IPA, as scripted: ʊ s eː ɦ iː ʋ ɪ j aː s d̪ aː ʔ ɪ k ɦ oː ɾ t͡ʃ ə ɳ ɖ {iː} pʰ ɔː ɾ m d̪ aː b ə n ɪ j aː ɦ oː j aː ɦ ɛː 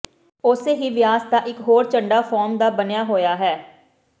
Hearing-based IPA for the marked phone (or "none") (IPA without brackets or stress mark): aː